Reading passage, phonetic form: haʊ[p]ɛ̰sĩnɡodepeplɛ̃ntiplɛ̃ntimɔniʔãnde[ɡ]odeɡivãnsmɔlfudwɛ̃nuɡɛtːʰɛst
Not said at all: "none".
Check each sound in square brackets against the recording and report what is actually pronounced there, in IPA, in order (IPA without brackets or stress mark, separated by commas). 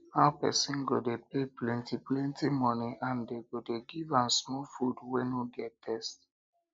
p, ɡ